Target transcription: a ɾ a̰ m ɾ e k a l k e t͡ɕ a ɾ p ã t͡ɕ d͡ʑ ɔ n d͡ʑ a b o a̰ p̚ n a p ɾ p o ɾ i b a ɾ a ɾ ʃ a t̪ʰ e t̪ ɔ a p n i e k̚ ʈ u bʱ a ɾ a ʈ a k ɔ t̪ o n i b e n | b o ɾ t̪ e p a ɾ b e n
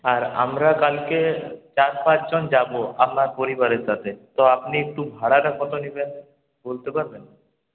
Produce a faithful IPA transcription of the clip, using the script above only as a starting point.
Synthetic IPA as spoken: a ɾ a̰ m ɾ a k a l k e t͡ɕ a ɾ p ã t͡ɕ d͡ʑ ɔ n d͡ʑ a b o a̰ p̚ n a ɾ p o ɾ i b a ɾ e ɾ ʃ a t̪ʰ e t̪ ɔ a p n i e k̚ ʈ u bʱ a ɽ a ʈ a k ɔ t̪ o n i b e n | b o l t̪ e p a ɾ b e n